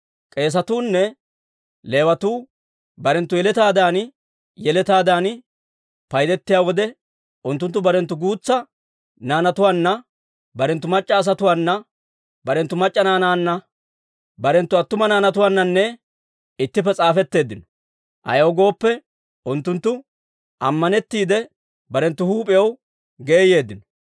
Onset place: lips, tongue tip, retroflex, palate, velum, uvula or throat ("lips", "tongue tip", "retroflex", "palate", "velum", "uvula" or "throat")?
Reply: velum